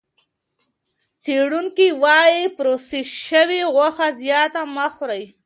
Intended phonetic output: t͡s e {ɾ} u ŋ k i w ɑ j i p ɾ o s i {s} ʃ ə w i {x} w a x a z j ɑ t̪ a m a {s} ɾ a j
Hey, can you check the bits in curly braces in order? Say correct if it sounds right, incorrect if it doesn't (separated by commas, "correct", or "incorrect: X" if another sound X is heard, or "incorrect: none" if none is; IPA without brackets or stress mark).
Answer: incorrect: ɽ, incorrect: none, incorrect: ɣ, incorrect: x